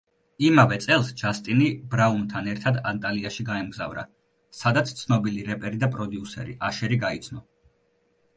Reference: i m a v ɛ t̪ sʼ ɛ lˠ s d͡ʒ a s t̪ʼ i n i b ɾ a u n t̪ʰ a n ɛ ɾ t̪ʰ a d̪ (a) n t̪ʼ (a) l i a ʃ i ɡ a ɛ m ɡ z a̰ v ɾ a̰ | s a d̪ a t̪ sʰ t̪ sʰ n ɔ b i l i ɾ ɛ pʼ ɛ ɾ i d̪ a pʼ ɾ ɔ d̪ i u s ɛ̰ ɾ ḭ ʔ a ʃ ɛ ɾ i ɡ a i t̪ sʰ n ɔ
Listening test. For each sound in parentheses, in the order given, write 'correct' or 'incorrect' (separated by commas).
correct, correct